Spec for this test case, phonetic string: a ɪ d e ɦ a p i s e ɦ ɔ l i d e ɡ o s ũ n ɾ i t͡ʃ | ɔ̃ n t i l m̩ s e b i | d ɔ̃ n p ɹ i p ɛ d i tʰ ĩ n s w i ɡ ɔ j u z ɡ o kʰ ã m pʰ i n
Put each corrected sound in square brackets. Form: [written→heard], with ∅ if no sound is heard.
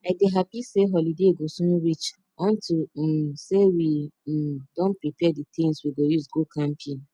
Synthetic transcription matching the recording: a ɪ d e ɦ a p i s e ɦ ɔ l i d e ɡ o s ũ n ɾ i t͡ʃ | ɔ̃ n t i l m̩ s e [b→w] i | d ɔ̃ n p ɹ i p ɛ d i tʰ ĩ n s w i ɡ [ɔ→o] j u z ɡ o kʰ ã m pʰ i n